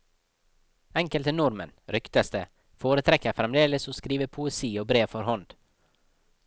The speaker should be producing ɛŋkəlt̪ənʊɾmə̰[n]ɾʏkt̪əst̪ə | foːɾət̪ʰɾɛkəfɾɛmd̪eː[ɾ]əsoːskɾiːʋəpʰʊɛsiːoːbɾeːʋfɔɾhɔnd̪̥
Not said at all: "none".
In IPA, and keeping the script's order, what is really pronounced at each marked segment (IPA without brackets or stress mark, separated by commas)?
n, l